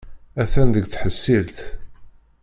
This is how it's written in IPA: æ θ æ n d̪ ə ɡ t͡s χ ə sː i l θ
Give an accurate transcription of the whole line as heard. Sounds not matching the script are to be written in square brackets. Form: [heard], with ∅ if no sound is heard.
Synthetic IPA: æ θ æ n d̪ ə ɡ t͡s [ħ] ə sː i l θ